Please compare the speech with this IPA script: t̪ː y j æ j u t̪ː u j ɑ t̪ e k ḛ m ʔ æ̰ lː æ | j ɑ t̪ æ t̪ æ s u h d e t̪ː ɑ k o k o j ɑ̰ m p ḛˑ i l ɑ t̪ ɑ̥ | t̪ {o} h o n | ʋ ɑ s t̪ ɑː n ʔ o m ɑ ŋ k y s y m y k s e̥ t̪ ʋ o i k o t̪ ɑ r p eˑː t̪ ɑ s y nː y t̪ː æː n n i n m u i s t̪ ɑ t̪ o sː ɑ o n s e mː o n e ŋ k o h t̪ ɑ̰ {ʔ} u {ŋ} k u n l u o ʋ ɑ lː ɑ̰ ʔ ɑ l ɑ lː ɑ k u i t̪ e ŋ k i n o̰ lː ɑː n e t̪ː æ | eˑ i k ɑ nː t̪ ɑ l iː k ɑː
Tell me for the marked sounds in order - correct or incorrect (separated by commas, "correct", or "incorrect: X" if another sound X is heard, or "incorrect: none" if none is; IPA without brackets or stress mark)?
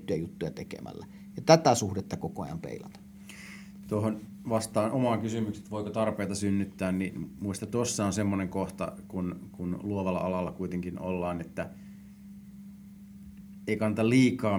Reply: correct, incorrect: k, incorrect: n